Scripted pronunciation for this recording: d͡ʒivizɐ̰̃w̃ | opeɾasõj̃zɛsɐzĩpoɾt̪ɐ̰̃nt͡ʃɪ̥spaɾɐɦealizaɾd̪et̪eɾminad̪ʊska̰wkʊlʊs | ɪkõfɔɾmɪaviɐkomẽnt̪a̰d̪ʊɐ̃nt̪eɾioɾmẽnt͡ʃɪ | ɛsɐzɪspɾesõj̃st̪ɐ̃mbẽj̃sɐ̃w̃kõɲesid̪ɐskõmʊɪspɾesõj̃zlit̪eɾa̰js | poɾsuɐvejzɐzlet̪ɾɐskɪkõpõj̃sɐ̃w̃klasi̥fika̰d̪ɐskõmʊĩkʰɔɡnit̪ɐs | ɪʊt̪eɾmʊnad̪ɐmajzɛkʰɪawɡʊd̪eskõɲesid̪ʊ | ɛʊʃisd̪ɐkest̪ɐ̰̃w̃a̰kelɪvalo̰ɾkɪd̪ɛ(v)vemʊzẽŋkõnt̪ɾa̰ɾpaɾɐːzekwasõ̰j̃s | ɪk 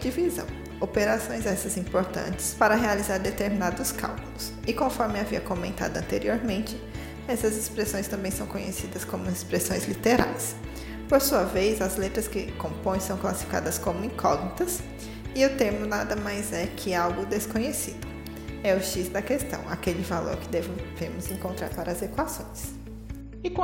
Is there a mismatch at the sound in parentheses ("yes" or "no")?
no